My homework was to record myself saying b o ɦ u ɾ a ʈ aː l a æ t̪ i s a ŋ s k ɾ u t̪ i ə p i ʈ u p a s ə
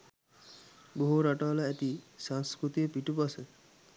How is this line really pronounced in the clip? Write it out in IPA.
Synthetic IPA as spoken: b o ɦ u ɾ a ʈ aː l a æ t̪ i s a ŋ s k ɾ u t̪ i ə p i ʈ u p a s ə